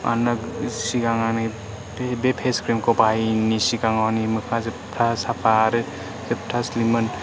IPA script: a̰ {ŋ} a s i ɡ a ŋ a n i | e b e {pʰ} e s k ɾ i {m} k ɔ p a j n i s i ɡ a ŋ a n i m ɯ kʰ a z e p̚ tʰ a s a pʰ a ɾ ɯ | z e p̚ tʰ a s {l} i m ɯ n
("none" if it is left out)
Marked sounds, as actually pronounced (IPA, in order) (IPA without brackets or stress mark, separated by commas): n, pʰ, m, l